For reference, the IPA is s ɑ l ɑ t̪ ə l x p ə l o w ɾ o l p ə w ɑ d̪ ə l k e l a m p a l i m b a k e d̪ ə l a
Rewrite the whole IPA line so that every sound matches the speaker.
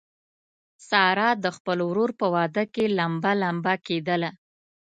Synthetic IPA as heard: s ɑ ɾ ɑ d̪ ə x p ə l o w ɾ o ɾ p ə w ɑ d̪ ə k e l a m b a l a m b a k e d̪ ə l a